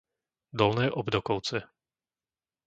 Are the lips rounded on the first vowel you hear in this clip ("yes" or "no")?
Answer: yes